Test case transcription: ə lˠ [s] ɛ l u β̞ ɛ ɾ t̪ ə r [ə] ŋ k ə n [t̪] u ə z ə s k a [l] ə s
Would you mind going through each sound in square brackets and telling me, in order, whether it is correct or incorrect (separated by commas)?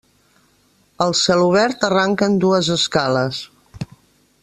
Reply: correct, incorrect, incorrect, correct